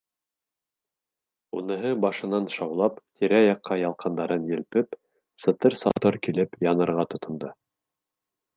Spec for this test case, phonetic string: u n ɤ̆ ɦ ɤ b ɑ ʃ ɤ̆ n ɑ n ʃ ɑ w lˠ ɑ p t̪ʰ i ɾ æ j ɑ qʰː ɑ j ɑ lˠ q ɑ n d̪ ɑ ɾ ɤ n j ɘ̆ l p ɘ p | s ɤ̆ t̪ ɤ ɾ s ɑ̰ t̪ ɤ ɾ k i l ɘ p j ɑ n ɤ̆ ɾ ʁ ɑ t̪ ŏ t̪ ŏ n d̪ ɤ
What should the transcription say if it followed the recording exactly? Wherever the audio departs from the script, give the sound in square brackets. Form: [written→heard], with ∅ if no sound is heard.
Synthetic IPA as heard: u n ɤ̆ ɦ ɤ b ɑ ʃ ɤ̆ n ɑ n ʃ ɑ w lˠ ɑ p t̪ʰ i ɾ æ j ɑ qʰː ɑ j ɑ lˠ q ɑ n d̪ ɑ ɾ ɤ n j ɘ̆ l p ɘ p | s ɤ̆ t̪ ɤ ɾ s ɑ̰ t̪ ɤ ɾ k i l ɘ p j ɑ n ɤ̆ ɾ ʁ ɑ t̪ ŏ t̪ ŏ n d̪ ɤ